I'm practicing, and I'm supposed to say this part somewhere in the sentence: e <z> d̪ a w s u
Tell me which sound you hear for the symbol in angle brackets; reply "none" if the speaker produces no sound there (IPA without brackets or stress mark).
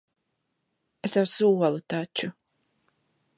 s